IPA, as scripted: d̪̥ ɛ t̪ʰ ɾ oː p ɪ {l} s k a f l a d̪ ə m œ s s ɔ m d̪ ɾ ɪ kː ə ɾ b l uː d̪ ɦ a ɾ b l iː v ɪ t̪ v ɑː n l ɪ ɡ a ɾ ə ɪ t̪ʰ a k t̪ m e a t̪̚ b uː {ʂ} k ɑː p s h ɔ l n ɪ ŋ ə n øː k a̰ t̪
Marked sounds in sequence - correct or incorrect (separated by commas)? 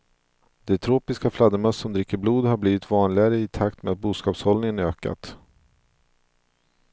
incorrect, incorrect